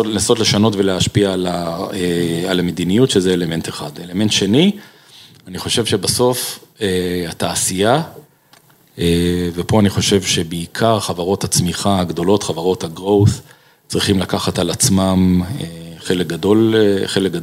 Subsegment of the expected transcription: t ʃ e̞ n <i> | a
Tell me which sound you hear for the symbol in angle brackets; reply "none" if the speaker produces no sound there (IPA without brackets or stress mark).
i